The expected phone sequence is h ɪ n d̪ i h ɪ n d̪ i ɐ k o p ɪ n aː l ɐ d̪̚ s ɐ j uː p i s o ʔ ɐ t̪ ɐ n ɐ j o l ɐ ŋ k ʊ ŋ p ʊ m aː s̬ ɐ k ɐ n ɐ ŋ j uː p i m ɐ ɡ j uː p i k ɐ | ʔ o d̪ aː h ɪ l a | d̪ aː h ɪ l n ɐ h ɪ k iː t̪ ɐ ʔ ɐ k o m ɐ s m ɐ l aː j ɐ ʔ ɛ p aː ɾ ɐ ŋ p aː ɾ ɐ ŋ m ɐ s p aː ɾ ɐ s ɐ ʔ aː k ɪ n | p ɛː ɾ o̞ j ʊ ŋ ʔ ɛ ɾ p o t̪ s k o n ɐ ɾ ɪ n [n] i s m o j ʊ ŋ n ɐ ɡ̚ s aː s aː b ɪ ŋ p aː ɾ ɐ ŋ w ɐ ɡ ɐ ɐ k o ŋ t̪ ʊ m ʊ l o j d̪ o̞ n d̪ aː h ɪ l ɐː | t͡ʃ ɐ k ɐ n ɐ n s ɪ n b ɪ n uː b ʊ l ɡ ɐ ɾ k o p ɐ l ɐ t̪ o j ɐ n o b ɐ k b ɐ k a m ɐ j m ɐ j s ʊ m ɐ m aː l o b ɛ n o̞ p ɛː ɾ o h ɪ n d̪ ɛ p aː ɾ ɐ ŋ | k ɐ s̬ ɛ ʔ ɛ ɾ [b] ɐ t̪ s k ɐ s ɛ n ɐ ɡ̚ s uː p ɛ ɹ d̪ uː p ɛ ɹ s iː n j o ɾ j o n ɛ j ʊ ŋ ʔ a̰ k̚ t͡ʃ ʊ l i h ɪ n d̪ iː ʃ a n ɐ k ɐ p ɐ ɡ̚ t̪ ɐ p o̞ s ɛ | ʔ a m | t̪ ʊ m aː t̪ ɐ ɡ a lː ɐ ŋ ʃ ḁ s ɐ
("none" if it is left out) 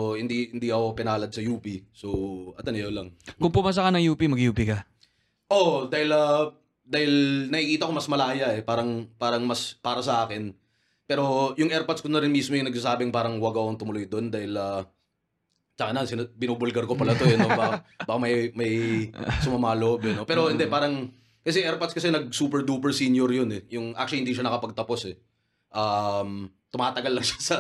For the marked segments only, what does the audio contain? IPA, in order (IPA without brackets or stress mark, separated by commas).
m, p